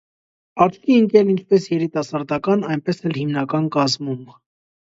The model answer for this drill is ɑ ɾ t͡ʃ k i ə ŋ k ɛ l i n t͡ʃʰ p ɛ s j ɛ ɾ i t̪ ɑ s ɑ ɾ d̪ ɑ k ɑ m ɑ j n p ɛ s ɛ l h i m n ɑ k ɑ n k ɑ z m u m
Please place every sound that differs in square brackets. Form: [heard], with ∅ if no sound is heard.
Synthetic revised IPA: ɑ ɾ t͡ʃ k i ə ŋ k ɛ l i n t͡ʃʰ p ɛ s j ɛ ɾ i t̪ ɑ s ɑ ɾ d̪ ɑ k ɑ [n] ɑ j n p ɛ s ɛ l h i m n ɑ k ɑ n k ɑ z m u m